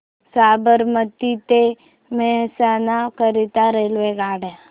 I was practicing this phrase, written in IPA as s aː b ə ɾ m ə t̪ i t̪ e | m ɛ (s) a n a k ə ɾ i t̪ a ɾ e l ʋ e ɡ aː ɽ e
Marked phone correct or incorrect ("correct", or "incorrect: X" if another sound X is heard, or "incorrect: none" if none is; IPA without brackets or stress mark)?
correct